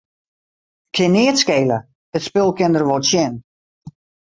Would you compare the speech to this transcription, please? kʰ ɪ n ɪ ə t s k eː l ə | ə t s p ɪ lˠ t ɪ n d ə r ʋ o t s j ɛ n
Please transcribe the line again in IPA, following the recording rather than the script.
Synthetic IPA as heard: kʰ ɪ n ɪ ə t s k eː l ə | ə t s p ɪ lˠ k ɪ n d ə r ʋ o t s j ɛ n